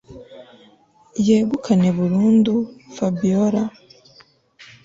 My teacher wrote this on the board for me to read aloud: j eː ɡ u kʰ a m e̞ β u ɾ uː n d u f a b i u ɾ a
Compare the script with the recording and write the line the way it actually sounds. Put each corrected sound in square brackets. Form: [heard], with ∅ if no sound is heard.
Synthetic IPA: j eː ɡ u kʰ a [n] e̞ β u ɾ uː n d u f a b i [o] ɾ a